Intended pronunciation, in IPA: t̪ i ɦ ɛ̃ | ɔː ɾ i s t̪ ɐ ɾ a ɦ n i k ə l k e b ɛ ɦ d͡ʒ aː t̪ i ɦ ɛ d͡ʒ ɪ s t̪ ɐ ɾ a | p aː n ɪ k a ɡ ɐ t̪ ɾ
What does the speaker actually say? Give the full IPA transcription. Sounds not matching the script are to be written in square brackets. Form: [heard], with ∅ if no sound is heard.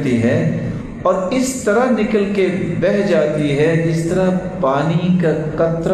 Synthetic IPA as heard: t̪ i ɦ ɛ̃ | ɔː ɾ [ɪ] s t̪ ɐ ɾ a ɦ n [ɪ] k ə l k e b ɛ ɦ d͡ʒ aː t̪ i ɦ ɛ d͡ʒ ɪ s t̪ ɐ ɾ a | p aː n [i] k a [k] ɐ t̪ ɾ